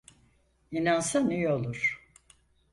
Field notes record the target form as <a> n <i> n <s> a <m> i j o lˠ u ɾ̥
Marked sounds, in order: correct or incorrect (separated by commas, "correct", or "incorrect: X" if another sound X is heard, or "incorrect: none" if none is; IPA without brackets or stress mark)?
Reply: incorrect: i, incorrect: a, correct, incorrect: n